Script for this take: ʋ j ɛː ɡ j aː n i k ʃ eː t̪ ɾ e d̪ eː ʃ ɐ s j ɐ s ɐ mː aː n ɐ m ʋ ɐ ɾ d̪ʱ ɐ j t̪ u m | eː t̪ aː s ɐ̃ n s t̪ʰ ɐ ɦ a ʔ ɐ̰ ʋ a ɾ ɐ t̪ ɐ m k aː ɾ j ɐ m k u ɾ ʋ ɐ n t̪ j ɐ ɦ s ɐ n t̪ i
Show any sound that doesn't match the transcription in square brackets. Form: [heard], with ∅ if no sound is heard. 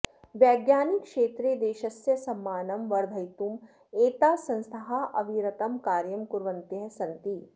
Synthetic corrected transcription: ʋ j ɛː ɡ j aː n i k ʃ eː t̪ ɾ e d̪ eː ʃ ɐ s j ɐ s ɐ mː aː n ɐ m ʋ ɐ ɾ d̪ʱ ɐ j t̪ u m | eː t̪ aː s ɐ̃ n s t̪ʰ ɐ ɦ a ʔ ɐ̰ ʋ [i] ɾ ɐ t̪ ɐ m k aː ɾ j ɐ m k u ɾ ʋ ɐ n t̪ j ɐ ɦ s ɐ n t̪ i